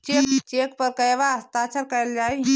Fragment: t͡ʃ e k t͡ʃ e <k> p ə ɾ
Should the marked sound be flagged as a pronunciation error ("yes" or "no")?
no